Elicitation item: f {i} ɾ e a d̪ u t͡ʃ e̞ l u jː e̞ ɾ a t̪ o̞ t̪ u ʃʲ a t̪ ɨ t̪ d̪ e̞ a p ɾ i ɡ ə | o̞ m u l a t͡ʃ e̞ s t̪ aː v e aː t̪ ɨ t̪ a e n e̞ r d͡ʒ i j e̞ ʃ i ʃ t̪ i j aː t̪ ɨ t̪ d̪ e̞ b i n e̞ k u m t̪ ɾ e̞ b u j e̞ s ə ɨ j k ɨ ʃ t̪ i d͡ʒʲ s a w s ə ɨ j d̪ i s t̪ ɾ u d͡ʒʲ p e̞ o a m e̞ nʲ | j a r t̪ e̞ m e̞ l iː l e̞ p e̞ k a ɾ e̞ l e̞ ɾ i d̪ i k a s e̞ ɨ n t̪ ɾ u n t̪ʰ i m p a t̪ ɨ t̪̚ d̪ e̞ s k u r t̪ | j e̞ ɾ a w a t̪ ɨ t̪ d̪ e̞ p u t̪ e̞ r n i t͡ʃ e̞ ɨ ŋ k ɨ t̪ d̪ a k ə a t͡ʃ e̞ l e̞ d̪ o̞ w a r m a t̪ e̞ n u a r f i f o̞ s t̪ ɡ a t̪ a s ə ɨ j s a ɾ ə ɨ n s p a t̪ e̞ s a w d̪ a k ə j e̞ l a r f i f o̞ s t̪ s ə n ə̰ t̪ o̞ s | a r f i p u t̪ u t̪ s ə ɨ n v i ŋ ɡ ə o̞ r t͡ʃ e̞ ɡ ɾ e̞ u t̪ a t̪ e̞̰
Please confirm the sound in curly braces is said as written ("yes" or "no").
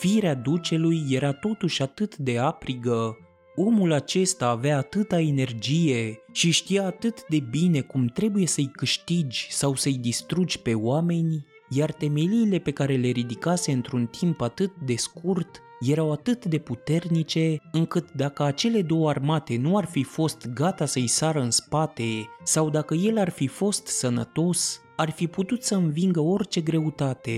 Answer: yes